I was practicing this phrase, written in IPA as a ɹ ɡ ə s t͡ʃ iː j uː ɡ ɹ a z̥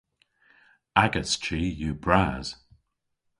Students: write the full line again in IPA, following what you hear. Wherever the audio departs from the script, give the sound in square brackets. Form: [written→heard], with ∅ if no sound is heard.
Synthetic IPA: a [ɹ→∅] ɡ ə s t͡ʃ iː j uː [ɡ→b] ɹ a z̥